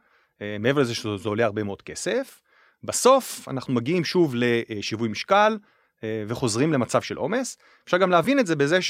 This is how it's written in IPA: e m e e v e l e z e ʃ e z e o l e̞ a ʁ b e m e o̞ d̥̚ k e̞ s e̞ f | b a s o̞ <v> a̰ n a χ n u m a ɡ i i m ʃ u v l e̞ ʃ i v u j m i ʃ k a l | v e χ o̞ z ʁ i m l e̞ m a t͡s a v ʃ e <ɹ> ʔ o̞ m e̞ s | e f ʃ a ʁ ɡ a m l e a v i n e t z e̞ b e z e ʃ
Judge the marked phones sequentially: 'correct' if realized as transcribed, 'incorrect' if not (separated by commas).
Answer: incorrect, incorrect